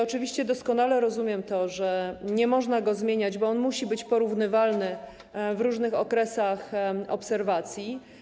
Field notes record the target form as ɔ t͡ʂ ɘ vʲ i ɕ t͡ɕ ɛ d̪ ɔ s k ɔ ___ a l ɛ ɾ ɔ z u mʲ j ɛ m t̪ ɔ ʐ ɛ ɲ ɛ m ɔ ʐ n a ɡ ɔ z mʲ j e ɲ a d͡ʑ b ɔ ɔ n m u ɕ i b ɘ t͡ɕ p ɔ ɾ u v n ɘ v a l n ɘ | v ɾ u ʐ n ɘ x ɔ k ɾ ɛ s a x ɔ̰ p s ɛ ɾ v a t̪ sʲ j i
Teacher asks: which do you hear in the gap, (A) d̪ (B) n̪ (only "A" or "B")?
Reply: B